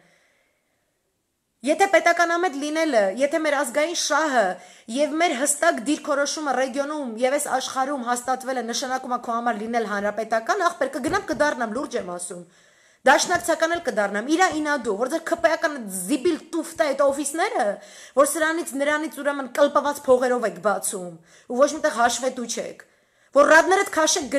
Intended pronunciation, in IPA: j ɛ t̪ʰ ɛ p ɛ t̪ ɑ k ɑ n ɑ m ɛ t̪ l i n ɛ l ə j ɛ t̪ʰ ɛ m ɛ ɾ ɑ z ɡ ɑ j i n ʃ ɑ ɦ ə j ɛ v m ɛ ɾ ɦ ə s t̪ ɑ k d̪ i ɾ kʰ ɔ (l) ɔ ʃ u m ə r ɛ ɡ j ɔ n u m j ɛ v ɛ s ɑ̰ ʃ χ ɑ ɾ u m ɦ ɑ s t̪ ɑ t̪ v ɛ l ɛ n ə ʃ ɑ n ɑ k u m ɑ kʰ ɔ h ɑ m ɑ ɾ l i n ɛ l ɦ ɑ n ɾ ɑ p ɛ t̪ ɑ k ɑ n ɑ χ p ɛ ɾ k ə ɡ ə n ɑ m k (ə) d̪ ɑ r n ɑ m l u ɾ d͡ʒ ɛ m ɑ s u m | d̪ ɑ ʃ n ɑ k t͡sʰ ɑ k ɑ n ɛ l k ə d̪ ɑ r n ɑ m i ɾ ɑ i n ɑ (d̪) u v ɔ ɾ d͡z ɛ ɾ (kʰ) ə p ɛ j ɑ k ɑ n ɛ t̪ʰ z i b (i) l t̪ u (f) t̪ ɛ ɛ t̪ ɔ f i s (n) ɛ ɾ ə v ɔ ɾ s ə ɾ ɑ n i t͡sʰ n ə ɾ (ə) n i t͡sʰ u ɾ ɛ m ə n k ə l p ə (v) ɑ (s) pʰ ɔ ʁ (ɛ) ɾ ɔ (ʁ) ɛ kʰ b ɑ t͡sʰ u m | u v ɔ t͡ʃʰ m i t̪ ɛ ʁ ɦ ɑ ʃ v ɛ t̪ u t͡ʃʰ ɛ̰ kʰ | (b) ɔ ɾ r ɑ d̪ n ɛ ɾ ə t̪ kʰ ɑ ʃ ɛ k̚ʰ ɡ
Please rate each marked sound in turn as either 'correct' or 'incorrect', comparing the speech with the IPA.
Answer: incorrect, correct, correct, correct, correct, correct, correct, incorrect, correct, incorrect, correct, incorrect, incorrect

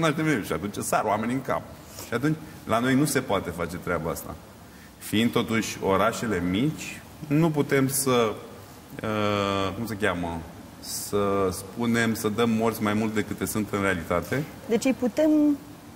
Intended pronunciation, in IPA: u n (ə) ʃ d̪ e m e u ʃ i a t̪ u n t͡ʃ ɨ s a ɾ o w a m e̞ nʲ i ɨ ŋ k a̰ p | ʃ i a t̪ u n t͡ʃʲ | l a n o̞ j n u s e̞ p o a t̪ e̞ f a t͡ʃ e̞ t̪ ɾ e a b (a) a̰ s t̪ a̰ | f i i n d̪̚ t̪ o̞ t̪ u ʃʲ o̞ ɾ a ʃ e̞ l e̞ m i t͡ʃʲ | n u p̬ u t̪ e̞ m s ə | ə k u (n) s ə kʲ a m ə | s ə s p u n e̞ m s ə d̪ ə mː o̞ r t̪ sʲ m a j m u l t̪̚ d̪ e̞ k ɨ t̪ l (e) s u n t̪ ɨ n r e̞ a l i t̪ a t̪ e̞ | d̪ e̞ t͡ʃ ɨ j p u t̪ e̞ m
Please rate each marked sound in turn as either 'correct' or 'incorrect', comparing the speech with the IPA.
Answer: incorrect, correct, incorrect, correct

